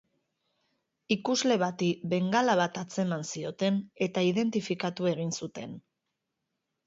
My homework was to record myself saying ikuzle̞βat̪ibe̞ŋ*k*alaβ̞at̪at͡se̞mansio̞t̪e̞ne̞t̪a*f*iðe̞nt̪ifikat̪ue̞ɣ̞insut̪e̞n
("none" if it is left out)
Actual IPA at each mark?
ɡ, none

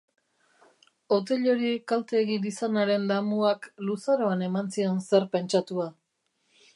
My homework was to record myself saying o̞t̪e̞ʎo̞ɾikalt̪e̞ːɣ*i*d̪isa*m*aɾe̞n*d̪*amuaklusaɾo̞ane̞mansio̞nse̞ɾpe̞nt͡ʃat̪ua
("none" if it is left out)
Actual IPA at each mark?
i, n, d̪

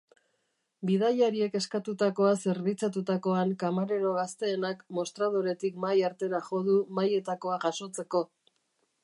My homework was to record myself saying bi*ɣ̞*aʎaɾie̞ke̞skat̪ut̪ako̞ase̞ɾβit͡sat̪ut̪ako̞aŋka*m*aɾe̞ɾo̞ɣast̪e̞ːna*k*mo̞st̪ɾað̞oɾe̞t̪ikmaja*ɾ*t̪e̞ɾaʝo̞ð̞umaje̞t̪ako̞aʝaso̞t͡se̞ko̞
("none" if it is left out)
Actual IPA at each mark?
ð̞, m, k, ɾ

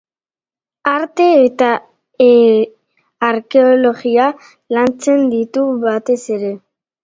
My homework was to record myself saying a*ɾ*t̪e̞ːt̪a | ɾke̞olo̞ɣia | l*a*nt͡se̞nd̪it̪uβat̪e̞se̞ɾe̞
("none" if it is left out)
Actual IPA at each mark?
ɾ, a

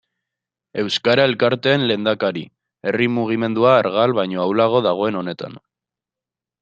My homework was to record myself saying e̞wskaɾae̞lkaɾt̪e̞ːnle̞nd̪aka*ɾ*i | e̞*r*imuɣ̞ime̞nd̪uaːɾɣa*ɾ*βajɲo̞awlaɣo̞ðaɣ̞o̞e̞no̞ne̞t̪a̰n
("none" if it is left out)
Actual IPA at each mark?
ɾ, r, l

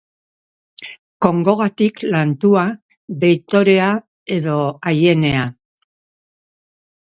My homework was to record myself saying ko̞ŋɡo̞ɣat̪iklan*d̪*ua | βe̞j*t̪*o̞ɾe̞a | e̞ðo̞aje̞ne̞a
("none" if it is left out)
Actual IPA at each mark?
t̪, t̪

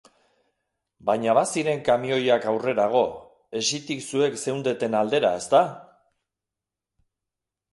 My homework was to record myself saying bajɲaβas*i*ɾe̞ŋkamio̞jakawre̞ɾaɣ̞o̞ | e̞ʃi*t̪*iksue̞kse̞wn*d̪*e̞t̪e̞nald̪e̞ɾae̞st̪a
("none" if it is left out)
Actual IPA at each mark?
i, t̪, d̪

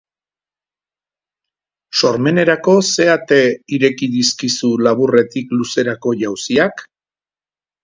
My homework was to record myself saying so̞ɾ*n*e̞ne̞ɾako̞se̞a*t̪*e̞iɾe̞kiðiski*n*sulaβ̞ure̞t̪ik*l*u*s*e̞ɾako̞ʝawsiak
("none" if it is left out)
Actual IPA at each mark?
m, t̪, none, l, s

